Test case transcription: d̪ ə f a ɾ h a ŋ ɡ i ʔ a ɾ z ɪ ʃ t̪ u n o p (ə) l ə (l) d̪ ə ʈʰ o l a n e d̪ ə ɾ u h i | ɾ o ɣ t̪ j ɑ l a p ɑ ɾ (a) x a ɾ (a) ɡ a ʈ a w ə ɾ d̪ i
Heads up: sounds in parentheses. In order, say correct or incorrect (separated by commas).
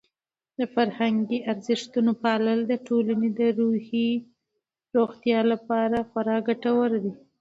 incorrect, correct, correct, incorrect